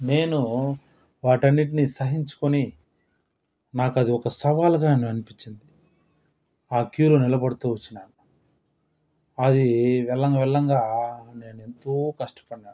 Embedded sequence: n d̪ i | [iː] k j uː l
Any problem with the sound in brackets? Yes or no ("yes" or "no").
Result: yes